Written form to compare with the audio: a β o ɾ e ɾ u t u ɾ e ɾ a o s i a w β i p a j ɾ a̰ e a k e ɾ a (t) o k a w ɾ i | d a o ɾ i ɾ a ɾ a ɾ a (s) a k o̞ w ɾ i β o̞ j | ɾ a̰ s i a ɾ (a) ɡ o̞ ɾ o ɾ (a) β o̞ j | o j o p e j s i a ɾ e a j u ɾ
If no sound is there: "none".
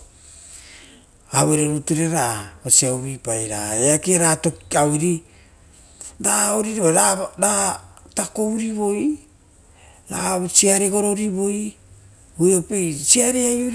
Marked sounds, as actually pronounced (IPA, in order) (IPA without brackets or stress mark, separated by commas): t, t, e, i